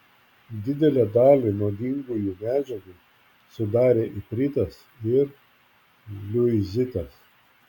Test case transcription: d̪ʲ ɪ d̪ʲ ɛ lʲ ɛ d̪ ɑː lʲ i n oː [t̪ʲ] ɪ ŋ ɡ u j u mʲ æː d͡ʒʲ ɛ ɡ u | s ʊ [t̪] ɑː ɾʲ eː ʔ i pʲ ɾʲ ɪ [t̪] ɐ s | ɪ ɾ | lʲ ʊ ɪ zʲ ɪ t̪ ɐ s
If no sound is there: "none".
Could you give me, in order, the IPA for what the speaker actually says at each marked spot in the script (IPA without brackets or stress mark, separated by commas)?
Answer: d̪ʲ, d̪, t̪